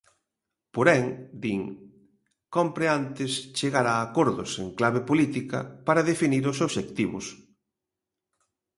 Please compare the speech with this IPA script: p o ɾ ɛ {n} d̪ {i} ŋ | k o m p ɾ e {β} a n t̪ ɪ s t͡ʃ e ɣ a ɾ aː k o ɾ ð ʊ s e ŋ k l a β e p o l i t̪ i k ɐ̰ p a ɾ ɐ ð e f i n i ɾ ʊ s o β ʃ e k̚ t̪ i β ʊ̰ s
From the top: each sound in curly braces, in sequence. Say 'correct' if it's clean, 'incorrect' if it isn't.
incorrect: ŋ, correct, incorrect: none

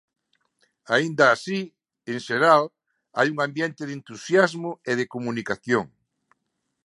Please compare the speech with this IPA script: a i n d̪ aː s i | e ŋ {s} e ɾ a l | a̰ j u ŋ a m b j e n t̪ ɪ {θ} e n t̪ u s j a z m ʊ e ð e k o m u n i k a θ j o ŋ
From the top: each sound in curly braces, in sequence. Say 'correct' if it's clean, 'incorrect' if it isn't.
incorrect: ʃ, incorrect: ð

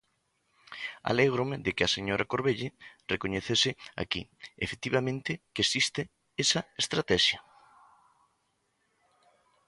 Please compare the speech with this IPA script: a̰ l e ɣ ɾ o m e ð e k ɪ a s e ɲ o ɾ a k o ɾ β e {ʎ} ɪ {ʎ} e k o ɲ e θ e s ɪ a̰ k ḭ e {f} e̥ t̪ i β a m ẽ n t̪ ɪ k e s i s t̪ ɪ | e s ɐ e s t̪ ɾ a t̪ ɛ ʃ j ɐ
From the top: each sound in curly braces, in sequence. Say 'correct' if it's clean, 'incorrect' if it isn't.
correct, incorrect: r, correct

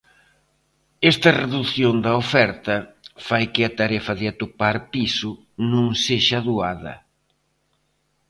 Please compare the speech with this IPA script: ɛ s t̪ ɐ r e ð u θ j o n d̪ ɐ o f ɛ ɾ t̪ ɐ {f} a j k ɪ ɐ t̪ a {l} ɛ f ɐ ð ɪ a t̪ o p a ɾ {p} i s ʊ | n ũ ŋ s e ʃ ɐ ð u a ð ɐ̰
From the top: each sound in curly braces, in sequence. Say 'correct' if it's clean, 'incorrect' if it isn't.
correct, incorrect: ɾ, correct

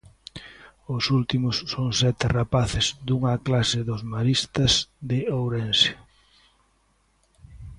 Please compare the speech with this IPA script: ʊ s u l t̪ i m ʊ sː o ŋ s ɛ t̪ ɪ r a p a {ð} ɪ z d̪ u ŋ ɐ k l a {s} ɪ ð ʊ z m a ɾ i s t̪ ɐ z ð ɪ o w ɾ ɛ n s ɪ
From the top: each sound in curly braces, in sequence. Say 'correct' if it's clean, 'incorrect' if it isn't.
incorrect: θ, correct

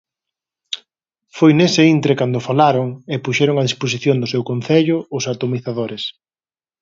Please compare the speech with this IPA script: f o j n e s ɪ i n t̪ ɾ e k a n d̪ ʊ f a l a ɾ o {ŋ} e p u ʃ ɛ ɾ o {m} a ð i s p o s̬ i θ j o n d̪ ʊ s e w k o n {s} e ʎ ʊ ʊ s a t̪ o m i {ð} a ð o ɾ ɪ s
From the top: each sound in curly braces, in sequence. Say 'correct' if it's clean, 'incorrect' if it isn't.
correct, incorrect: ŋ, incorrect: θ, incorrect: θ

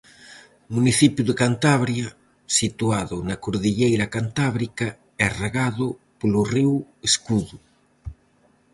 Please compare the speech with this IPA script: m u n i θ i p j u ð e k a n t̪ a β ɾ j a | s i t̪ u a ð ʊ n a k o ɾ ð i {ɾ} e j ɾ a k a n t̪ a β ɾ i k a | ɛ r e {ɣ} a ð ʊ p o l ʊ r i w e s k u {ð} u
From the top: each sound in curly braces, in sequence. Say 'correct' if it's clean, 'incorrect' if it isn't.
incorrect: ʎ, correct, correct

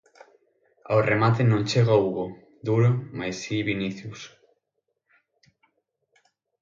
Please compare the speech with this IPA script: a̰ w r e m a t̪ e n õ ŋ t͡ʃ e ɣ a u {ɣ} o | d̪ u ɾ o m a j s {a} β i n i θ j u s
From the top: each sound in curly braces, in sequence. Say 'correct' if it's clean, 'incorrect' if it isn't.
correct, incorrect: i

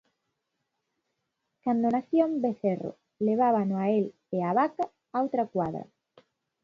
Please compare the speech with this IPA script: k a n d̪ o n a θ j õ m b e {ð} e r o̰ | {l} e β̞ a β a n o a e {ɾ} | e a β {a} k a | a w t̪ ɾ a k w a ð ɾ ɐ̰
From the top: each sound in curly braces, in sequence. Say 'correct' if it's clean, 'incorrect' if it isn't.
incorrect: θ, correct, incorrect: l, correct

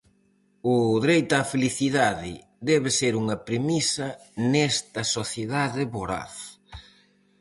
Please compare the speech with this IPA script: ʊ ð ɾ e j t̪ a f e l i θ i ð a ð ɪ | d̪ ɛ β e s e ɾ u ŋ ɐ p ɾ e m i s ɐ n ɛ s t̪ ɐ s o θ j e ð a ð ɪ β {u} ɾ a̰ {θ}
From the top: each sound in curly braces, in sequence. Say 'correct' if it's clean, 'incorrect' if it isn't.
incorrect: o, correct

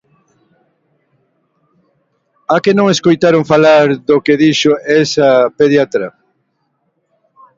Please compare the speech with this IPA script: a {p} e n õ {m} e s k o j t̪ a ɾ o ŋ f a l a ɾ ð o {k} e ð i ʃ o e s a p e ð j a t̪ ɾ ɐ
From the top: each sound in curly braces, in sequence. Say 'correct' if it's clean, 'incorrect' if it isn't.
incorrect: k, incorrect: ŋ, correct

